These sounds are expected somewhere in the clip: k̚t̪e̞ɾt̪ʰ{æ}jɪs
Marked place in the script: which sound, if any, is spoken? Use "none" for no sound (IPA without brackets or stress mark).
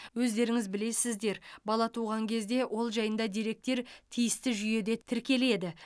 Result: i